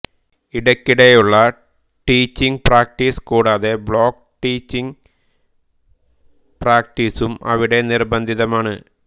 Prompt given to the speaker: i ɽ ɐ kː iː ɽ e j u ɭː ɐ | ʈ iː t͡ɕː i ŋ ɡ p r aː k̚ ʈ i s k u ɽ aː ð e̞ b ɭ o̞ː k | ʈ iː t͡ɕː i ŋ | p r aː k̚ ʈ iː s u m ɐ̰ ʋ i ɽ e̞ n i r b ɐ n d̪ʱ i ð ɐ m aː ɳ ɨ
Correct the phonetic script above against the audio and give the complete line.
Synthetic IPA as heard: i ɽ ɐ kː i ɽ e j u ɭː ɐ | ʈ iː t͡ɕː i ŋ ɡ p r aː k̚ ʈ i s k uː ɽ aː ð e̞ b ɭ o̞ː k | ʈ iː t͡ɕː i ŋ | p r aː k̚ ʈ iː s u m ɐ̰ ʋ i ɽ e̞ n i r b ɐ n d̪ʱ i ð ɐ m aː ɳ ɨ